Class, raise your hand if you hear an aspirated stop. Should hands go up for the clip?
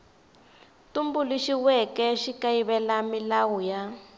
no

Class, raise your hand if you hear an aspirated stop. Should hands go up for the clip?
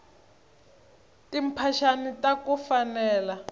yes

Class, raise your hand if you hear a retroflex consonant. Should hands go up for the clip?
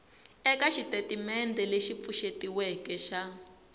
no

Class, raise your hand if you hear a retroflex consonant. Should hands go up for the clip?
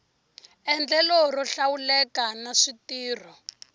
yes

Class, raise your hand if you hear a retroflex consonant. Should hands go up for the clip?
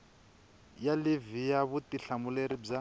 yes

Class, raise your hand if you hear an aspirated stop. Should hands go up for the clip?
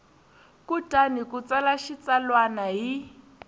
no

